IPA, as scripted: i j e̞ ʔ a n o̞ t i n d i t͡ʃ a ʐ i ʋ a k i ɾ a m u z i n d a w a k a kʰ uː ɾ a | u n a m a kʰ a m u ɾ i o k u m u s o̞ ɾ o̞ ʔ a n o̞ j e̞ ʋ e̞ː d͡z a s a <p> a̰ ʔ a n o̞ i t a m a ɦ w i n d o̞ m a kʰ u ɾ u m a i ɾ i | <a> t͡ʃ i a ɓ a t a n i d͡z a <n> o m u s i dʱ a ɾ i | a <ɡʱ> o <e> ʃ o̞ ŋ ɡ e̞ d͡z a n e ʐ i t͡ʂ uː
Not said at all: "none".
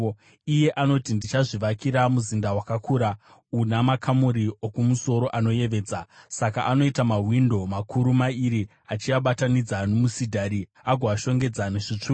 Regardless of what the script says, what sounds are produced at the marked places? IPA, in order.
k, a, n, ɡʱ, a

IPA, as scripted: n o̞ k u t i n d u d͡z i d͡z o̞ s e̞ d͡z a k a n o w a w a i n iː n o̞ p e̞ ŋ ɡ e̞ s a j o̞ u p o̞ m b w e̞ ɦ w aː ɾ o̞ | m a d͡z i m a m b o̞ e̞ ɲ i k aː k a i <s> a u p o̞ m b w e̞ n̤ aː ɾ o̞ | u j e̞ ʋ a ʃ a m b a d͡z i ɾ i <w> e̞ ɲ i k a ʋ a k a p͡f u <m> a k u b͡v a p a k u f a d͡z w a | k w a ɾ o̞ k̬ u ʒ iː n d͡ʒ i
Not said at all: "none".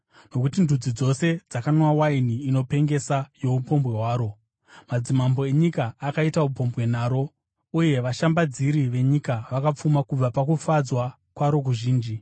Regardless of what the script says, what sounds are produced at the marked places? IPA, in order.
t, ʋ, m

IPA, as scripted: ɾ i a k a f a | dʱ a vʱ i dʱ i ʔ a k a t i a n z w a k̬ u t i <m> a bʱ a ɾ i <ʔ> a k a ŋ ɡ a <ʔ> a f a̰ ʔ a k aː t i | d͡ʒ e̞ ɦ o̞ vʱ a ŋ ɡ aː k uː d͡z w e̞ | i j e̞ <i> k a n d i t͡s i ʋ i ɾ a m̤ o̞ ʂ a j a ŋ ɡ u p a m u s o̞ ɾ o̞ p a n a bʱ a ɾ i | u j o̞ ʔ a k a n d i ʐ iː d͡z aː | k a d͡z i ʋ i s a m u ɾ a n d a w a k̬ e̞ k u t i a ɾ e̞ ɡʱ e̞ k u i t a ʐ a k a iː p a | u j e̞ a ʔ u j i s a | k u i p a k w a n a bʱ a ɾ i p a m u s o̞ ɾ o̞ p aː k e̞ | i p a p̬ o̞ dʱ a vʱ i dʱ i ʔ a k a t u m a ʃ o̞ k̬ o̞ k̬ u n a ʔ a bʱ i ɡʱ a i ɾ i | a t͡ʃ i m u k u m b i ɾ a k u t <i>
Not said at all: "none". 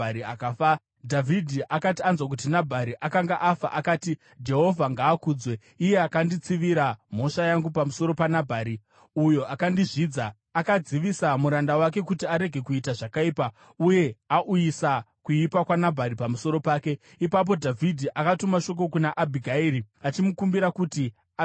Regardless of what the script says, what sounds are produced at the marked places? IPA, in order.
n, ʔ, ʔ, a, i

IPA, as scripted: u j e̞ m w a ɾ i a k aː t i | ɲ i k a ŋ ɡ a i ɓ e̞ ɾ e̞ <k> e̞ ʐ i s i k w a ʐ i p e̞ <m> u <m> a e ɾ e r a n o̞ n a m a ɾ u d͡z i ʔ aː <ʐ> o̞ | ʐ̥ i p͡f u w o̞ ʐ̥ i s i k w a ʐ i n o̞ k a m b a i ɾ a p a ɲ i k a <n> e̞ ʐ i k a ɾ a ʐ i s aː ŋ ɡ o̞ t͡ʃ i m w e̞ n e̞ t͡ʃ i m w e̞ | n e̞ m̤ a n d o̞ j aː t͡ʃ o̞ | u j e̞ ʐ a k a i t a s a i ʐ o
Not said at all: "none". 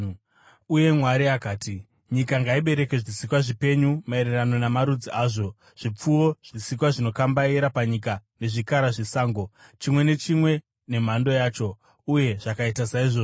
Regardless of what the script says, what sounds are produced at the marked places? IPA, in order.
k, ɲ, m, ʐ, n

